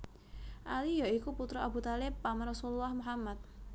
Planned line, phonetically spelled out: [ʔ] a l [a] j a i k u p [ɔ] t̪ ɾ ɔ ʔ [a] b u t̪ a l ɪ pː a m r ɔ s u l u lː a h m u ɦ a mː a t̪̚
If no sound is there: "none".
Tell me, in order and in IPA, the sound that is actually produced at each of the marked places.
ʔ, i, u, a

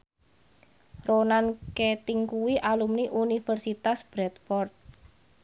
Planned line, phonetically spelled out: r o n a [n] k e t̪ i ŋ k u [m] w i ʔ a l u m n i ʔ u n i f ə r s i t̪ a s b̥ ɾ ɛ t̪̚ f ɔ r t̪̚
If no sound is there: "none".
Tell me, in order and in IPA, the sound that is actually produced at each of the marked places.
n, none

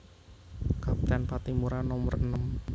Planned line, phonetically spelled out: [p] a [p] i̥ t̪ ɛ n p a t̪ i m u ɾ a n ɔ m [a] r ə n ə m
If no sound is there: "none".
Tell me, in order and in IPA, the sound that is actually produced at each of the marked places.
k, p, ə

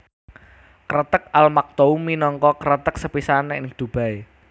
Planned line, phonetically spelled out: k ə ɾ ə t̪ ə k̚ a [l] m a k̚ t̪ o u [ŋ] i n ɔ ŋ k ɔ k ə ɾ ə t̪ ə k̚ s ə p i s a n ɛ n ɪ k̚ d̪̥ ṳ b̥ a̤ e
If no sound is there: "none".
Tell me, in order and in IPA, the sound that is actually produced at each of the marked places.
l, m

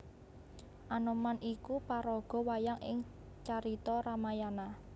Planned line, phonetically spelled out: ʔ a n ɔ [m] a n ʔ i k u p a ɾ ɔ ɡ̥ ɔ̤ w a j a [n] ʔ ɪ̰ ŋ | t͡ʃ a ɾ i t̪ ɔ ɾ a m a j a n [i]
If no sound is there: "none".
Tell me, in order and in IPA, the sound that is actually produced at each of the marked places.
m, ŋ, a

